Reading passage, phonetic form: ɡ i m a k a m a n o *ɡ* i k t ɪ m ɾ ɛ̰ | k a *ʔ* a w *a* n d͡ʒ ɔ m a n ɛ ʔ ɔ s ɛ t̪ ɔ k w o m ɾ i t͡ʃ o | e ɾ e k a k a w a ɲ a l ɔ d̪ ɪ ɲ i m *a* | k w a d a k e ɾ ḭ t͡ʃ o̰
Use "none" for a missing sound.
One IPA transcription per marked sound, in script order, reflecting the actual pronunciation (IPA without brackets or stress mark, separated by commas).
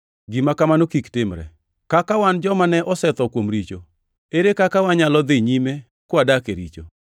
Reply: k, k, a, e